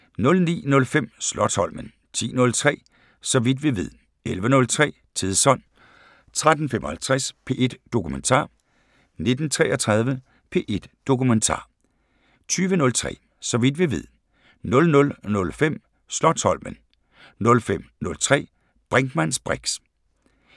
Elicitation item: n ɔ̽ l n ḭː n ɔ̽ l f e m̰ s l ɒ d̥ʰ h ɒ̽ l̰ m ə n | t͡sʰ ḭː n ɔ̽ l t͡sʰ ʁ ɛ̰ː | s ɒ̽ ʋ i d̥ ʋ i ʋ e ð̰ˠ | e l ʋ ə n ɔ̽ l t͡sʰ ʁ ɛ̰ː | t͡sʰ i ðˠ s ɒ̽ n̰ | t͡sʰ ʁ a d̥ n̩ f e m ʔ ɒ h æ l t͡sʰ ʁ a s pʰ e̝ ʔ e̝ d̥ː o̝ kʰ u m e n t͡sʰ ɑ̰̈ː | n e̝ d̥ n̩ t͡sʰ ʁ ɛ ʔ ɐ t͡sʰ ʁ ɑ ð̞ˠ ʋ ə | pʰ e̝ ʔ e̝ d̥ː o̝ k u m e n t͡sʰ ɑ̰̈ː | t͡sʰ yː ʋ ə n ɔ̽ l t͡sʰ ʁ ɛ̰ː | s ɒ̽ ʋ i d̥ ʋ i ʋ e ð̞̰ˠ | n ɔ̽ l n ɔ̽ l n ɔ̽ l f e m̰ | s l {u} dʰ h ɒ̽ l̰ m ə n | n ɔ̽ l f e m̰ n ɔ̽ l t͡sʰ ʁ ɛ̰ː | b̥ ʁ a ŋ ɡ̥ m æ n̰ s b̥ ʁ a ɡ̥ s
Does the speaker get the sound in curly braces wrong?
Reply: yes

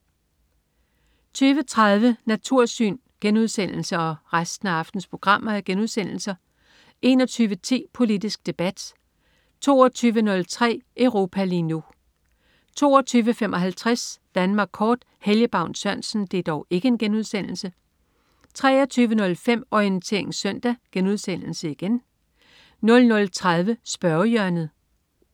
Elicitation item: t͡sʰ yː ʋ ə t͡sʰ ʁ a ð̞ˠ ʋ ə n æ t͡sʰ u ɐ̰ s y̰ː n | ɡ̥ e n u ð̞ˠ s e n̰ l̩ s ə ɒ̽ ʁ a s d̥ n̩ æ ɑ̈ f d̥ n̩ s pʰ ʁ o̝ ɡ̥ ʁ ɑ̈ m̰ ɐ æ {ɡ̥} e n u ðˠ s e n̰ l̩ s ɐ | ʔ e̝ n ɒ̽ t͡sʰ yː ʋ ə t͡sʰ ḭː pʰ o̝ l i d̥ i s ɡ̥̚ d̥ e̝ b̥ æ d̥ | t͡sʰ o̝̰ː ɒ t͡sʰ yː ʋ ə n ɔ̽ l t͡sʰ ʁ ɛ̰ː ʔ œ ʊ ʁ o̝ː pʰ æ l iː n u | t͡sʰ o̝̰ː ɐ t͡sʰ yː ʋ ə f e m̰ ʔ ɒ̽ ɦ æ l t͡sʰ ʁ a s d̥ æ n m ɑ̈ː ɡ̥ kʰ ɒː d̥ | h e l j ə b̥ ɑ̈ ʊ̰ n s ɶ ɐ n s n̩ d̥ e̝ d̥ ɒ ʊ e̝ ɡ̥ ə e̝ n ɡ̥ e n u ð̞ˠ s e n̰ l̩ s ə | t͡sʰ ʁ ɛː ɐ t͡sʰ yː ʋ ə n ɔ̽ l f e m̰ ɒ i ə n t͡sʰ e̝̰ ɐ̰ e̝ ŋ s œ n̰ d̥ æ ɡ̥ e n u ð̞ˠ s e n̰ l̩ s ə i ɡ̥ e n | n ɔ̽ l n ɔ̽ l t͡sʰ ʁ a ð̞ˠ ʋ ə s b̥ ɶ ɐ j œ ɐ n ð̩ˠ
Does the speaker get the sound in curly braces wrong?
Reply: no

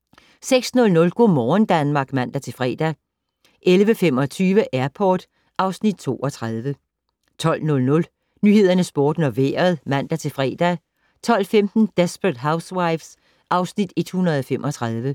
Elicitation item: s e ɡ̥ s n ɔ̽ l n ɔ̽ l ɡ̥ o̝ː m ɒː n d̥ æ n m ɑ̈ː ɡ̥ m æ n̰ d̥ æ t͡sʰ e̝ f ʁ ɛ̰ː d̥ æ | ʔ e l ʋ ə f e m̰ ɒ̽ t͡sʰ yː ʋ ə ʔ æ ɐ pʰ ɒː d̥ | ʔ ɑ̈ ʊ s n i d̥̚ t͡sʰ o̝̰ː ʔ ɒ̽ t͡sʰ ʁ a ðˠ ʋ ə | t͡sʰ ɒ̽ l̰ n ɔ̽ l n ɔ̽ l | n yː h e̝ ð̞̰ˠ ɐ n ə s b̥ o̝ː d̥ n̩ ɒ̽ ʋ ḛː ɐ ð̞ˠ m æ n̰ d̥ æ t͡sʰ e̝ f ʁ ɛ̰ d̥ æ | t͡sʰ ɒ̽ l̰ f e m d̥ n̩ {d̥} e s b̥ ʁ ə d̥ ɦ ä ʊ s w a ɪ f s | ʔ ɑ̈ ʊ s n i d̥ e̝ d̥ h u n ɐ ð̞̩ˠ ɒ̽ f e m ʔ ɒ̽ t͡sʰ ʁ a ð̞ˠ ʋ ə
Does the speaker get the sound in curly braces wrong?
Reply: no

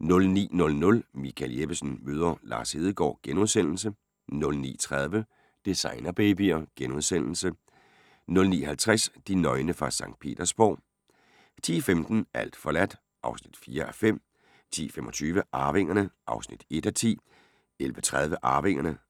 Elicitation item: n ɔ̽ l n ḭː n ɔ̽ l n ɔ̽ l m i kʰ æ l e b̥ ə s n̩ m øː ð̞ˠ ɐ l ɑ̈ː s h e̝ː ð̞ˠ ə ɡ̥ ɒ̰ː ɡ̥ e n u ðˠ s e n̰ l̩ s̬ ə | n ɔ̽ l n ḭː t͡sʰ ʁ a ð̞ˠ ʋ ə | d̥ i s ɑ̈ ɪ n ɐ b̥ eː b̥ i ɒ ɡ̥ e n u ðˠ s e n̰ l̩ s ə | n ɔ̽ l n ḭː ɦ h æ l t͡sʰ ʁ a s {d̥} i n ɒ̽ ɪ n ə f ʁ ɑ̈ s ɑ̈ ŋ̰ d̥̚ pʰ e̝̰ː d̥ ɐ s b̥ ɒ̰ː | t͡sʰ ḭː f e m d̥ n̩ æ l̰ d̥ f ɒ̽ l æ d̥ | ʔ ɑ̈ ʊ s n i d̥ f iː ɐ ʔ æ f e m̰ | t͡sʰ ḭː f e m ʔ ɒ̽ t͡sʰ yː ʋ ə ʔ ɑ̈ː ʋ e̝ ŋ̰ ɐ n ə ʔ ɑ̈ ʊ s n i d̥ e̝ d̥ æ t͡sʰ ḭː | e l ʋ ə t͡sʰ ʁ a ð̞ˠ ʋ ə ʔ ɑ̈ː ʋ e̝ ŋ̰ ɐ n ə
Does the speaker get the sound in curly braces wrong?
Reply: no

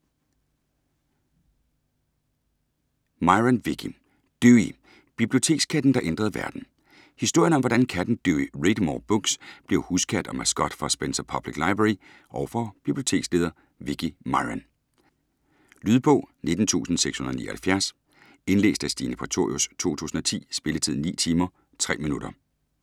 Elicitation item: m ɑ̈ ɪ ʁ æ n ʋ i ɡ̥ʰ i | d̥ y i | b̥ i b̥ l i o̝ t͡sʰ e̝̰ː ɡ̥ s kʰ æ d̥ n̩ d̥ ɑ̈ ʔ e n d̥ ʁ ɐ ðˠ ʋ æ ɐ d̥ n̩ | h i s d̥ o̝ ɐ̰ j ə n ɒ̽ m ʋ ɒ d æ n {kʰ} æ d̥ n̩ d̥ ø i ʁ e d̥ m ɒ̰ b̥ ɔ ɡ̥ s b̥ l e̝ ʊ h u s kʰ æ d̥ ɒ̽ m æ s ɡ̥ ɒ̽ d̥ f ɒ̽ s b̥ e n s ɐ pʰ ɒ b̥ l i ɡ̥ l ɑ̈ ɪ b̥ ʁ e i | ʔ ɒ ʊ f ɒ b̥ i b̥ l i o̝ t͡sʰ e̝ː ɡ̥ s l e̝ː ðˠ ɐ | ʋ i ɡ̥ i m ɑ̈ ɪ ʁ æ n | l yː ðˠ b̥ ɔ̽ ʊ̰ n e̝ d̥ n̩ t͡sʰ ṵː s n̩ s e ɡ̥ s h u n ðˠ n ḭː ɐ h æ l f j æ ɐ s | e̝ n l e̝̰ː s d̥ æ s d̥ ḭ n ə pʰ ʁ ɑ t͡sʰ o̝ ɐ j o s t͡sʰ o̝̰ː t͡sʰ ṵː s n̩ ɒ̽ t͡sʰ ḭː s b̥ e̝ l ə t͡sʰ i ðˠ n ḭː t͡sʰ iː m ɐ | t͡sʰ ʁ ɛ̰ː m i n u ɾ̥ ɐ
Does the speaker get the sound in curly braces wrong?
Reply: no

